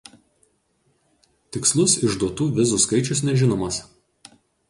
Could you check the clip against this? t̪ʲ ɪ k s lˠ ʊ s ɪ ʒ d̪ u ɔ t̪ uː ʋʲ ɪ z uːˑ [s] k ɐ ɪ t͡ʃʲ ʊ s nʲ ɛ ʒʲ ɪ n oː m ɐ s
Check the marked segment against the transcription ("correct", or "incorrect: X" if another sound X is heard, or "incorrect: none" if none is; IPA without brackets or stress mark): correct